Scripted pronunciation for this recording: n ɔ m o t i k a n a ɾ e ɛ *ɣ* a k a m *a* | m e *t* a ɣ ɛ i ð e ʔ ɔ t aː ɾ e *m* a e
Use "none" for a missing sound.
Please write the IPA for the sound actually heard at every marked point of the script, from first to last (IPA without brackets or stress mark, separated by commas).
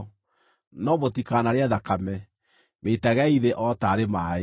ð, ɛ, t, m